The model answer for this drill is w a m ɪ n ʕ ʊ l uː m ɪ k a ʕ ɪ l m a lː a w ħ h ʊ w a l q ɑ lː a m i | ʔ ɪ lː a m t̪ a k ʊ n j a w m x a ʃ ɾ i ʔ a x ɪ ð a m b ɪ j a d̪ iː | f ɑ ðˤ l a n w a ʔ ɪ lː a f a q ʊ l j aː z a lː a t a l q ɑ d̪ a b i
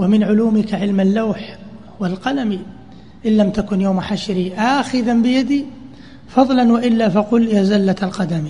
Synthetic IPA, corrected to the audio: w a m ɪ n ʕ ʊ l uː m ɪ k a ʕ ɪ l m a lː a w ħ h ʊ w a l q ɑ l a m i | ʔ ɪ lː a m t̪ a k ʊ n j a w m ħ a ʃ ɾ i ʔ a x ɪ ð a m b ɪ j a d̪ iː | f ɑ ðˤ l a n w a ʔ ɪ lː a f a q ʊ l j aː z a lː a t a l q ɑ d̪ a m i